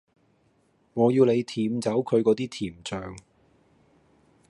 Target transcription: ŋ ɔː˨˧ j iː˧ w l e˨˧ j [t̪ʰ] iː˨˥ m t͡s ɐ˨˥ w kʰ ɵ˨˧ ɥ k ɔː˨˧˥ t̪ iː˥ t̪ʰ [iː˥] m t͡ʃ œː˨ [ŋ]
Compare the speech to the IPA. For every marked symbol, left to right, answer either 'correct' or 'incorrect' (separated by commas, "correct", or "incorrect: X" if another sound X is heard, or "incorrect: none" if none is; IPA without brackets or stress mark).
correct, incorrect: iː˨˩, correct